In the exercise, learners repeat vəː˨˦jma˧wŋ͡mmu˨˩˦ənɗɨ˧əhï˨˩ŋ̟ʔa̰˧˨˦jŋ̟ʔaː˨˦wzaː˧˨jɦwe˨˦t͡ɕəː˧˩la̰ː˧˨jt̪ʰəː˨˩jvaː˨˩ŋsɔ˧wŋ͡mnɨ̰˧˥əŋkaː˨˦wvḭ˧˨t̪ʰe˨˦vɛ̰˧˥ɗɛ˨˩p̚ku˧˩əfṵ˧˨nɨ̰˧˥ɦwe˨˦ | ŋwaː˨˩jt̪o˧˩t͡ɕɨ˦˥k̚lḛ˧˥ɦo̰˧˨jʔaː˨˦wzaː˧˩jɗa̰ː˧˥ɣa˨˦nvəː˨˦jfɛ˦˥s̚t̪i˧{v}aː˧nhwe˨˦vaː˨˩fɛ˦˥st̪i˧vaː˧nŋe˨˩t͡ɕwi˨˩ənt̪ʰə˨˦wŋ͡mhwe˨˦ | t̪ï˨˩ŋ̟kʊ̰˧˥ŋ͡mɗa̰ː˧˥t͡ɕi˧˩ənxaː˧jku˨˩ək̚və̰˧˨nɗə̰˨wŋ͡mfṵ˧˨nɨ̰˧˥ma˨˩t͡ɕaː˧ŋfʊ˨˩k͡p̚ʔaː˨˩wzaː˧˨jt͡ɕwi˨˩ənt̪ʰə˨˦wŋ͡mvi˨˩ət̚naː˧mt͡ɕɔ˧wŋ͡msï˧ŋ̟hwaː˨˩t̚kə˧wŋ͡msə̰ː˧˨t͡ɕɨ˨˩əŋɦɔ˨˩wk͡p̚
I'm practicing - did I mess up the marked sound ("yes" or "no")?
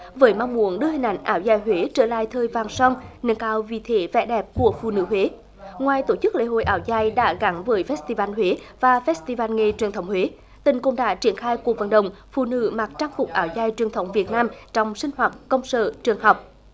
no